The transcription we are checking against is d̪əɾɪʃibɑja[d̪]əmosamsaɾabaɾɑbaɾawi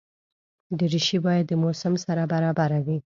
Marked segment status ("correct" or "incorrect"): incorrect